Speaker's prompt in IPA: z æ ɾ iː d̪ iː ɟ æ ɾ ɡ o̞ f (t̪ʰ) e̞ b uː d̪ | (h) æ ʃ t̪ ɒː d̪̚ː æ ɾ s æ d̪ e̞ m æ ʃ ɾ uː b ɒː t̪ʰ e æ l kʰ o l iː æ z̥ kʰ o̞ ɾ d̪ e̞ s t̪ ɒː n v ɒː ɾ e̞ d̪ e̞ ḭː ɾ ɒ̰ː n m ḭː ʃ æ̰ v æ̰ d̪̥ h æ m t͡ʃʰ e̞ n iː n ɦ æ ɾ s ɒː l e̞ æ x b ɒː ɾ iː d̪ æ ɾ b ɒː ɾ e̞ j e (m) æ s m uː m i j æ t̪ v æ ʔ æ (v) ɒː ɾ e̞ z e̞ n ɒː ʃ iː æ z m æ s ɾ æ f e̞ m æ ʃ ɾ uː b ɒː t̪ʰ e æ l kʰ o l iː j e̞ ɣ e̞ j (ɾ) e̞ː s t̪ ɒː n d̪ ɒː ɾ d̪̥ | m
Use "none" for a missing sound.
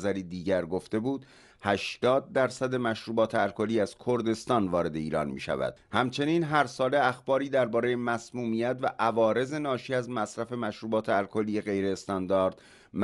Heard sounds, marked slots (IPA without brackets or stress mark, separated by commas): t̪, h, m, v, ɾ